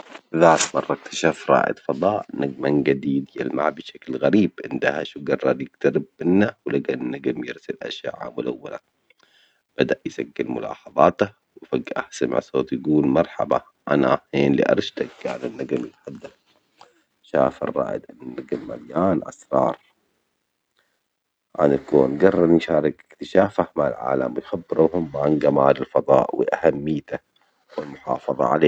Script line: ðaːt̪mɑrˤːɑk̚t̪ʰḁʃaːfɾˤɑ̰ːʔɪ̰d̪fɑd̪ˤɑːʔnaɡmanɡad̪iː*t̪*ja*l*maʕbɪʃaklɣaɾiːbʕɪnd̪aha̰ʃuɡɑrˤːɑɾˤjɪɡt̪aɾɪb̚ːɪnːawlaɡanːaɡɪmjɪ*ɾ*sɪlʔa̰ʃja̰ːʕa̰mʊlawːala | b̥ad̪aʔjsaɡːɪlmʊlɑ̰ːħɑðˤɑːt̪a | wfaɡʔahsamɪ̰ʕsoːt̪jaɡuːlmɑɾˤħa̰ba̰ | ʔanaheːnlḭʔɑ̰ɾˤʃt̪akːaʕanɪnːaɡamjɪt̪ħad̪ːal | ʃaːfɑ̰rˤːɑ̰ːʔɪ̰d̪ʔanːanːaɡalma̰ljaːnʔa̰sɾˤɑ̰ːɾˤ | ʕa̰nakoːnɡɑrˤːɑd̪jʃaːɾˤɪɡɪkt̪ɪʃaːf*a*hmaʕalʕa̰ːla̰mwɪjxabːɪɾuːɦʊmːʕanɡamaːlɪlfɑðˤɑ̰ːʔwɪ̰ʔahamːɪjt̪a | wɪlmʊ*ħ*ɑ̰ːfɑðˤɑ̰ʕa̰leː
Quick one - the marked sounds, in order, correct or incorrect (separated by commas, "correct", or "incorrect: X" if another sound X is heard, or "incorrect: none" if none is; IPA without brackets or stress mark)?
incorrect: d̪, correct, correct, correct, correct